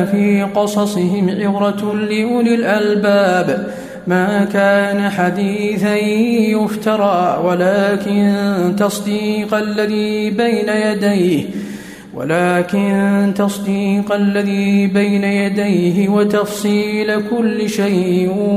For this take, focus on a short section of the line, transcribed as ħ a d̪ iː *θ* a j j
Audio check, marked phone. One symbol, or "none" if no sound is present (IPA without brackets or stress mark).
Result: θ